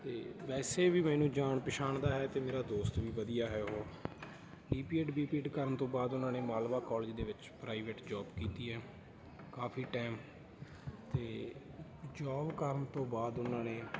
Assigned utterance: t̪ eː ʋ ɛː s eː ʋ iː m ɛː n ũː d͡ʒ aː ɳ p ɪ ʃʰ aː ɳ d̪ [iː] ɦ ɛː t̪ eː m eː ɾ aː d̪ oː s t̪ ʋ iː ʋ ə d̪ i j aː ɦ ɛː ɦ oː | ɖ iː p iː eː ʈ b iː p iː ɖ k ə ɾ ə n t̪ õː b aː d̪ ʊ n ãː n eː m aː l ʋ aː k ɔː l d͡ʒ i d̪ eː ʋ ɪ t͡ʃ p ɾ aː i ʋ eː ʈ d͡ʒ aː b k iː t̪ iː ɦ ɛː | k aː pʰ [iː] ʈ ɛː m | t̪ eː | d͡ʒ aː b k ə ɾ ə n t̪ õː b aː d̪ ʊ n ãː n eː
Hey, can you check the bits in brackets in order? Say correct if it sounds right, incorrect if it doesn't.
incorrect: aː, correct

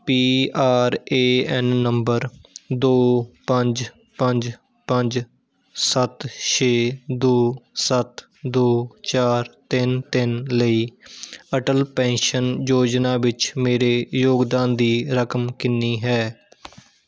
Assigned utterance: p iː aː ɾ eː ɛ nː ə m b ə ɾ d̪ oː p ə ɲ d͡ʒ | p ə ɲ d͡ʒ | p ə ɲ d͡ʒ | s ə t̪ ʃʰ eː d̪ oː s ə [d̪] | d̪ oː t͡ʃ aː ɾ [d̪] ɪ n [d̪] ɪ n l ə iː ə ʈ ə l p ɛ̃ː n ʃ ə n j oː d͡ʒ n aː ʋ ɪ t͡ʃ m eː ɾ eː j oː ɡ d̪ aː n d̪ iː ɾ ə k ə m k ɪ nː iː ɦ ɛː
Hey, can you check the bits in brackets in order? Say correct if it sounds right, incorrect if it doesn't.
incorrect: t̪, incorrect: t̪, incorrect: t̪

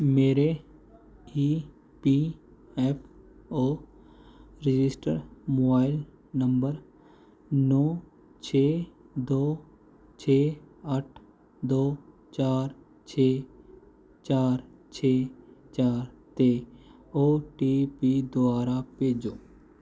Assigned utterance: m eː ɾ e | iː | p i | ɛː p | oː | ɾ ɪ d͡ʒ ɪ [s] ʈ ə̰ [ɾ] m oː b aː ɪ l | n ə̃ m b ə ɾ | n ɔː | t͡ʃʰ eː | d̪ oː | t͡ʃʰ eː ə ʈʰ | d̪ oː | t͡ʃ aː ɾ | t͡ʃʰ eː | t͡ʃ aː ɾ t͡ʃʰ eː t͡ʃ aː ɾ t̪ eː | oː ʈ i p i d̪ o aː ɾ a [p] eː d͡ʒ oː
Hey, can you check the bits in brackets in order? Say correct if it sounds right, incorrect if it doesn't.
correct, correct, correct

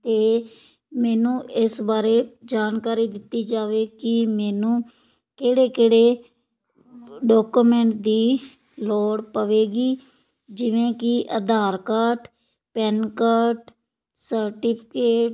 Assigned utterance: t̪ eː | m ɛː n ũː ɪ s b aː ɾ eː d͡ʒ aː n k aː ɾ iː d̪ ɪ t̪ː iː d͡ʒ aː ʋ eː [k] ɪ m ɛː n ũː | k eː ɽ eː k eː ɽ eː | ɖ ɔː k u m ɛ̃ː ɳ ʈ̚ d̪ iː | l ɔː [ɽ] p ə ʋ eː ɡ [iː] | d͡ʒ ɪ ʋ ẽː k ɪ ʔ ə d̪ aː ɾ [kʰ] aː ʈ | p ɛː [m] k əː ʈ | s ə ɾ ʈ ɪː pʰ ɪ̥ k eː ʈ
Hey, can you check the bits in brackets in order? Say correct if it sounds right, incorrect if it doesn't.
correct, correct, correct, incorrect: k, incorrect: n

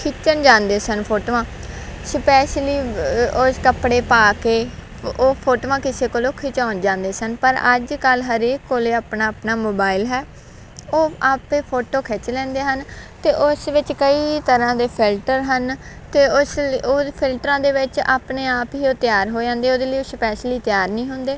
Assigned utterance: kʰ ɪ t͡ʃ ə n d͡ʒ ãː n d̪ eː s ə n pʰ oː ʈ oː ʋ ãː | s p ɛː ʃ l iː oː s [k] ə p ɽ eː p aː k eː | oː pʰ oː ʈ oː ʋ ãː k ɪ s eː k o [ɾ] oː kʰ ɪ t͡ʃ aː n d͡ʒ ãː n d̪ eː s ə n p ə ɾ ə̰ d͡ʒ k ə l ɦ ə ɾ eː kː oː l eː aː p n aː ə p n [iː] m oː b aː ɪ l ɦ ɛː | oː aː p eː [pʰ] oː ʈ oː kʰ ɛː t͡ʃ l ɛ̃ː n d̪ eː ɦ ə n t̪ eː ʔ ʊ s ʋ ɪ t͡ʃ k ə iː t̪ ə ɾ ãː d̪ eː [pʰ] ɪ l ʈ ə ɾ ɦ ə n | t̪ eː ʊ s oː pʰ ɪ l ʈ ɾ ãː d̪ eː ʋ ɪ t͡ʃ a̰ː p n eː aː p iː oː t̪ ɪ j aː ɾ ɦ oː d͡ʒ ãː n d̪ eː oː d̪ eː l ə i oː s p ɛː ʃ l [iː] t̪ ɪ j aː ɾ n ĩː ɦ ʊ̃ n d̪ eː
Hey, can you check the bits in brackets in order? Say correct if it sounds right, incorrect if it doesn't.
correct, incorrect: l, incorrect: aː, correct, correct, correct

